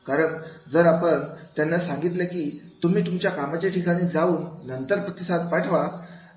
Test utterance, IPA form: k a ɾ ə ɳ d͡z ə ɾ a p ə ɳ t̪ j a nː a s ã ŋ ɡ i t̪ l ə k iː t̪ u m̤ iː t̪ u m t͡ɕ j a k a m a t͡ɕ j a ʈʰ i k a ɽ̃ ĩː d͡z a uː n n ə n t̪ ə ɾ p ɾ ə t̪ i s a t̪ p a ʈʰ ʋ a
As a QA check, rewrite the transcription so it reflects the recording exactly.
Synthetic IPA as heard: k a ɾ ə ɳ d͡z ə ɾ a p ə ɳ t̪ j a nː a s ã ŋ ɡ i t̪ l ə k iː t̪ u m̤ iː t̪ u m t͡ɕ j a k a m a t͡ɕ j a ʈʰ i k a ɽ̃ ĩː d͡z a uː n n ə n t̪ ə ɾ p ɾ ə t̪ i s a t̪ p a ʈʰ ʋ a

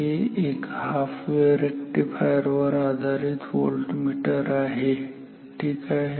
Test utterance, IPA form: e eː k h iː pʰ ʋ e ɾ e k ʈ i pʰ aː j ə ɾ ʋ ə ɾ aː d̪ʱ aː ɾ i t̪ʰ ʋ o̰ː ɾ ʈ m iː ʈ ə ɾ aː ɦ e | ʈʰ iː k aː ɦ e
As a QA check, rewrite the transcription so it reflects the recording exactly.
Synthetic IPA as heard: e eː k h aː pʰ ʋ e ɾ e k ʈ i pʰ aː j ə ɾ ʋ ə ɾ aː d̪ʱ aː ɾ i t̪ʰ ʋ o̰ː l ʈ m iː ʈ ə ɾ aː ɦ e | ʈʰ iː k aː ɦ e

